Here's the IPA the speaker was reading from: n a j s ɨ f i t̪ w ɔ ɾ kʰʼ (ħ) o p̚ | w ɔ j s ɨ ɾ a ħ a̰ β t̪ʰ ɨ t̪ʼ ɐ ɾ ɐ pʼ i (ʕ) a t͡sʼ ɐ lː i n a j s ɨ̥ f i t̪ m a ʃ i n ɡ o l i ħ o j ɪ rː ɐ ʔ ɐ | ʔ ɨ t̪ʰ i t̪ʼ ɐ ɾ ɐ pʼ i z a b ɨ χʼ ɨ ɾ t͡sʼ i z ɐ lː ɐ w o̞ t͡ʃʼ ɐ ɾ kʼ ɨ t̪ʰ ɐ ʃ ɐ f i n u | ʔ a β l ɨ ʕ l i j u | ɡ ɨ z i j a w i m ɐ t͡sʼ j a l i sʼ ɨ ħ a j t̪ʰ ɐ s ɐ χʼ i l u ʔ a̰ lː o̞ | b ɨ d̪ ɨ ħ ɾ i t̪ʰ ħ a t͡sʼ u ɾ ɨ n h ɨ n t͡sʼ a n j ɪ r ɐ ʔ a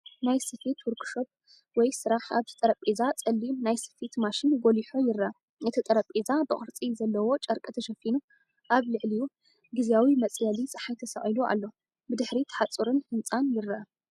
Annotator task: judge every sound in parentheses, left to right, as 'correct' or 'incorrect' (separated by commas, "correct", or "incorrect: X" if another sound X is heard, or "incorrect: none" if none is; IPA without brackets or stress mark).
incorrect: ʃ, incorrect: z